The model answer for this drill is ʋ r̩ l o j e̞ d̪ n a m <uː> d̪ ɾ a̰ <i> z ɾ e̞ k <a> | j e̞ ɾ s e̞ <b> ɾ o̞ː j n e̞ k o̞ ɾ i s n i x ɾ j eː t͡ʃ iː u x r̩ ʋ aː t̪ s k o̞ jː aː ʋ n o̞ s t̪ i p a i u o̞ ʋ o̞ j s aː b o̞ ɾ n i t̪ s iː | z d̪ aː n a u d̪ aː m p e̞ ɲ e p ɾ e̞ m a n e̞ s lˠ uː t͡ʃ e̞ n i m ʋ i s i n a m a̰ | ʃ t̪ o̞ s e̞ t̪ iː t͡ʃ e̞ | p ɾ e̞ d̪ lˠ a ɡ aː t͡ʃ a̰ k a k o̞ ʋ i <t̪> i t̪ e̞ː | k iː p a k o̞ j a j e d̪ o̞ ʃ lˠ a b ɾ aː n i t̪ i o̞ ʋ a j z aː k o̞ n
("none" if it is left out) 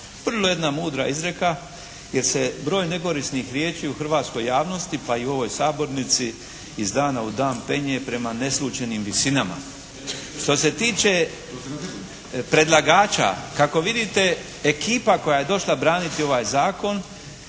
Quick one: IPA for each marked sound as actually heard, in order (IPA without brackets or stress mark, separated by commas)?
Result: uː, i, a, b, d̪